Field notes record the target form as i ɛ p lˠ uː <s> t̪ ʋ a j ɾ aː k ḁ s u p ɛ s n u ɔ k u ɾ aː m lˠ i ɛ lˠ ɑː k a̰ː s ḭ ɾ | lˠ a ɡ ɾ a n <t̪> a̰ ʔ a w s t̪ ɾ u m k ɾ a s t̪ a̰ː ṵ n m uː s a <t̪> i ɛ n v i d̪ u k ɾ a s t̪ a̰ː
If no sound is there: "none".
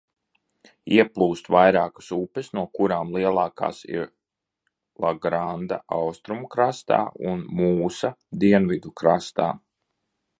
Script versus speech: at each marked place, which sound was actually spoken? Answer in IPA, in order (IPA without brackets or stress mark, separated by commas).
s, d̪, d̪